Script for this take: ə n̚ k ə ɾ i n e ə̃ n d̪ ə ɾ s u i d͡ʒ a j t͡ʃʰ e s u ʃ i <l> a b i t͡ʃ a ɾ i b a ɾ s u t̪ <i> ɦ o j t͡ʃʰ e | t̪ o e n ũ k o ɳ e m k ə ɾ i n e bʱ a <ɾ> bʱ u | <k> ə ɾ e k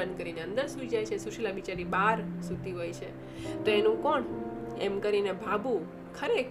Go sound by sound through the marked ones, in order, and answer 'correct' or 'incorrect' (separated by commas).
correct, correct, incorrect, incorrect